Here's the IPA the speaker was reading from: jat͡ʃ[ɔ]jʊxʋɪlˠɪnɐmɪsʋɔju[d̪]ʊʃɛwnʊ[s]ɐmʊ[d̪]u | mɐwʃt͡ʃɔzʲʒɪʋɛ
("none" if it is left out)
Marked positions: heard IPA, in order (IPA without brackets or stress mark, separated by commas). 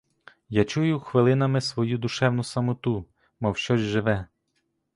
u, d̪, s, t̪